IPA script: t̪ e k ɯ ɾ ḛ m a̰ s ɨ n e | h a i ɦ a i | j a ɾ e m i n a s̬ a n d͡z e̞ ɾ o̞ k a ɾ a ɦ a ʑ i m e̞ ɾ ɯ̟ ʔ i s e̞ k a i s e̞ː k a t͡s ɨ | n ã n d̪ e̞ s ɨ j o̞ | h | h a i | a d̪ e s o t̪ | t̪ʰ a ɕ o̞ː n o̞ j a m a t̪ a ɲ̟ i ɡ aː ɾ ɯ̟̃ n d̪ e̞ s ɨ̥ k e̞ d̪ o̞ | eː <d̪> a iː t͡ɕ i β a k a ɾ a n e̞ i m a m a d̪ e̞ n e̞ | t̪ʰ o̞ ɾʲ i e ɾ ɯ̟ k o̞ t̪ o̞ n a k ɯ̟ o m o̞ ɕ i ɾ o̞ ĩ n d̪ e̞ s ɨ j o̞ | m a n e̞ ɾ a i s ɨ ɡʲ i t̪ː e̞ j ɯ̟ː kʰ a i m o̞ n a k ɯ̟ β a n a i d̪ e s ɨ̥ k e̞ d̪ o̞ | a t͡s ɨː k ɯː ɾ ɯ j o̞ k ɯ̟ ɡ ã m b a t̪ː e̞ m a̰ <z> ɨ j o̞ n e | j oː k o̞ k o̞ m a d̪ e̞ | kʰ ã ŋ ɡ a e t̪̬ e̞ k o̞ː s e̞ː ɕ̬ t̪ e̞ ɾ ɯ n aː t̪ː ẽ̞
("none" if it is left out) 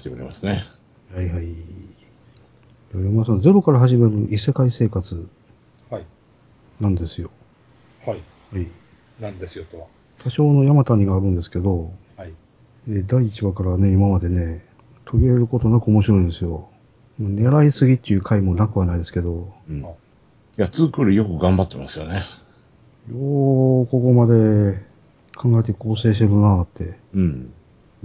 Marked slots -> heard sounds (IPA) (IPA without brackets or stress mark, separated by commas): d̪, s